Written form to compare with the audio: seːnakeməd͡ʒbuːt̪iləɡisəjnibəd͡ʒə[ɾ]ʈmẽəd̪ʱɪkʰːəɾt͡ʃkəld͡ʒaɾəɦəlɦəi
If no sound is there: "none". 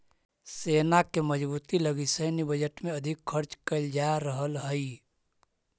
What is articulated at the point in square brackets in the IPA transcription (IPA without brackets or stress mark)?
none